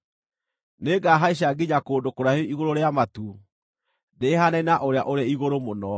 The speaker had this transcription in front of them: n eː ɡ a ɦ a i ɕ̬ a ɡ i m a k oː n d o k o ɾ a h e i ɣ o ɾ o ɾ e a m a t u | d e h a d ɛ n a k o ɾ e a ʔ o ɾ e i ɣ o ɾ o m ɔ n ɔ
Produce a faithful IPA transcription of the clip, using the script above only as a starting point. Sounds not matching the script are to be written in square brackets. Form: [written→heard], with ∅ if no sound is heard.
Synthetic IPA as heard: n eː ɡ a ɦ a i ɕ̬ a ɡ i [m→ɲ] a k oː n d o k o ɾ a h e i ɣ o ɾ o ɾ e a m a t u | d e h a [d→n] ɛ n a [k→ʔ] o ɾ e a ʔ o ɾ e i ɣ o ɾ o m [ɔ→o] n ɔ